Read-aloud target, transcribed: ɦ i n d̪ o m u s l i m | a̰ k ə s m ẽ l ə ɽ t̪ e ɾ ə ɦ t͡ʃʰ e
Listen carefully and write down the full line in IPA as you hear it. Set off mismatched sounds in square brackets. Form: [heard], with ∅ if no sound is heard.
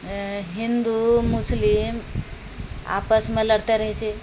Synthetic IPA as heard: ɦ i n d̪ [u] m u s l i m | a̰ [p] ə s m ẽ l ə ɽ t̪ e ɾ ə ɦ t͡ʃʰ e